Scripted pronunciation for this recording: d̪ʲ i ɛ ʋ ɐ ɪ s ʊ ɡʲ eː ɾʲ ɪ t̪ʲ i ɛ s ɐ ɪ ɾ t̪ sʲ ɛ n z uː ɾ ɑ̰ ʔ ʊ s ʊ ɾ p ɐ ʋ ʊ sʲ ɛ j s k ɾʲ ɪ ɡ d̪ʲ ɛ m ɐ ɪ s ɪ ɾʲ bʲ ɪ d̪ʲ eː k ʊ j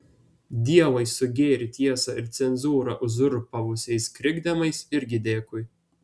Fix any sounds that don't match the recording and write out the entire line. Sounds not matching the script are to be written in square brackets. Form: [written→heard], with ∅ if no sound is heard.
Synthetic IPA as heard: d̪ʲ i ɛ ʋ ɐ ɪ s ʊ ɡʲ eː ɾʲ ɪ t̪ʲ i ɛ s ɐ ɪ ɾ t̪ sʲ ɛ n z uː ɾ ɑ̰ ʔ ʊ [s→z] ʊ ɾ p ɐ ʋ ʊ sʲ ɛ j s k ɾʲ ɪ ɡ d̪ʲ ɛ m ɐ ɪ s ɪ ɾʲ [bʲ→ɡʲ] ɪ d̪ʲ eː k ʊ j